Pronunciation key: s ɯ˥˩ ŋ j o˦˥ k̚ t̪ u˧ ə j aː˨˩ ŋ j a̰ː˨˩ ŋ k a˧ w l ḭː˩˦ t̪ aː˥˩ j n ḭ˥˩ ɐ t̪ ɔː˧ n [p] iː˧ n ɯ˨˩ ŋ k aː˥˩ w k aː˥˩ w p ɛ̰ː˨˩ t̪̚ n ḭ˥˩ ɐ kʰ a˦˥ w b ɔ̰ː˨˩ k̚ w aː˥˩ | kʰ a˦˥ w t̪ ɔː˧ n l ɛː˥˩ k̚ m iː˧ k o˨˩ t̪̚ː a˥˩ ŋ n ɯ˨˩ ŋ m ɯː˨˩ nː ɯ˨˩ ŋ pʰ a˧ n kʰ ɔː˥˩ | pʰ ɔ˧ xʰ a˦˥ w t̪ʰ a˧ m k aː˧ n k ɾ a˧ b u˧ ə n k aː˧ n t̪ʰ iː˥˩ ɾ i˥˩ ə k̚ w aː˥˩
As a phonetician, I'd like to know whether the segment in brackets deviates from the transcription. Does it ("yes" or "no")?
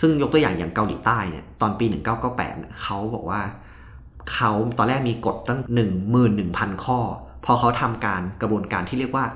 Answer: no